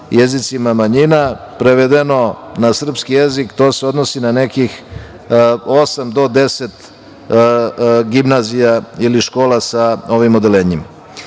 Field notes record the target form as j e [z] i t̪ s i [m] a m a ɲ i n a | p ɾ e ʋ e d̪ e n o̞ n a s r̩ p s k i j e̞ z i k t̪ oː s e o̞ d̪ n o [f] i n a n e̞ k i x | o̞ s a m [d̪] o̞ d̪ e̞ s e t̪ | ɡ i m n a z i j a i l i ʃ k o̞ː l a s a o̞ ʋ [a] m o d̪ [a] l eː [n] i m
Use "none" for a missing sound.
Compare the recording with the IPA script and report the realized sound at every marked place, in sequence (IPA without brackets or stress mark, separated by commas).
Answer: z, m, s, d̪, i, e, ɲ